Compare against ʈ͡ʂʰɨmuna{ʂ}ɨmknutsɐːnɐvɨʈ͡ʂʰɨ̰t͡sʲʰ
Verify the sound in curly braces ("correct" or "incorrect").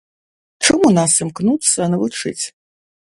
incorrect